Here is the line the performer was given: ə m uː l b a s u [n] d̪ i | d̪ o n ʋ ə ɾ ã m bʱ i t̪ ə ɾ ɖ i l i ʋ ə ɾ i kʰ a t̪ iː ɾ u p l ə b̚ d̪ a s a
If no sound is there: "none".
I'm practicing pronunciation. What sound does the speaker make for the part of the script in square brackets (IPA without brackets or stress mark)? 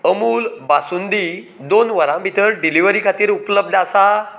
n